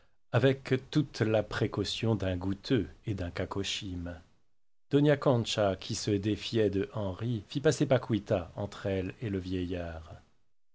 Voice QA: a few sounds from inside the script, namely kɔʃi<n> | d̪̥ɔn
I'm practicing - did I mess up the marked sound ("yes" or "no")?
yes